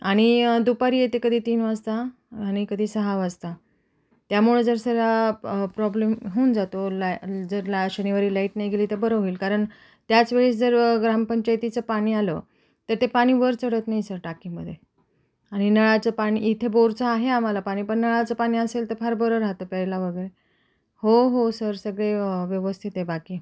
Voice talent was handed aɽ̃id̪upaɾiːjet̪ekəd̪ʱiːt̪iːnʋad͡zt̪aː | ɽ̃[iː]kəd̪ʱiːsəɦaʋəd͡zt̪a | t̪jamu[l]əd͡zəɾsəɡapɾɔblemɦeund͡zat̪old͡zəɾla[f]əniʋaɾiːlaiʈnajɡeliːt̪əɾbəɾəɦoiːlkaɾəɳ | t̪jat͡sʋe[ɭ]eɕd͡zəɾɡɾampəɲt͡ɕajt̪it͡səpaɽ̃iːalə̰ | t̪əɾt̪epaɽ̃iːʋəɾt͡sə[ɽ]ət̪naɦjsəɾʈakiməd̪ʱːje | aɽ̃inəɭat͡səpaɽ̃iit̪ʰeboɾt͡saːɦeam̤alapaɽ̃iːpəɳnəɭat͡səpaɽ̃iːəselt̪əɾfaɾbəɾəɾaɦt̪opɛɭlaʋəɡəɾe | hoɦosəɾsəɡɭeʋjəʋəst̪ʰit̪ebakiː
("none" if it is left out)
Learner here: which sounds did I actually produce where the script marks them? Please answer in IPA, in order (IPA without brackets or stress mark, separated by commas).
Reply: i, ɭ, ɕ, ɭ, ɽ